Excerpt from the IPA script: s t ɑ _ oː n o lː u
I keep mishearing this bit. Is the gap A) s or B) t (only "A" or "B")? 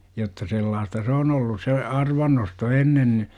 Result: A